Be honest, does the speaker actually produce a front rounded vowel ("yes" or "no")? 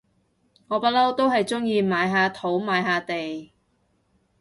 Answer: no